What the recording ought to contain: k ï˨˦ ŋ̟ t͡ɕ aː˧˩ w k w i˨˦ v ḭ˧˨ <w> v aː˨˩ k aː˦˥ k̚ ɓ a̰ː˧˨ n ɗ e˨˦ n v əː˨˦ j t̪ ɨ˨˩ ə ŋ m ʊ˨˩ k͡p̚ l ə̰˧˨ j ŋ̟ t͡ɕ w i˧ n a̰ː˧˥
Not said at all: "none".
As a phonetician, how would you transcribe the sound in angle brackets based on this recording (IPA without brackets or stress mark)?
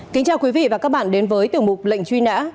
none